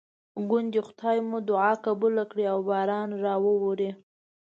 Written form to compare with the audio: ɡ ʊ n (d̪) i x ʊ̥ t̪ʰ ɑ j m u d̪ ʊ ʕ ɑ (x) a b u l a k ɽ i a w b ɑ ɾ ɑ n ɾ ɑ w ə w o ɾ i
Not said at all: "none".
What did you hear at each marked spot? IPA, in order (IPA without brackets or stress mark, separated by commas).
d̪, k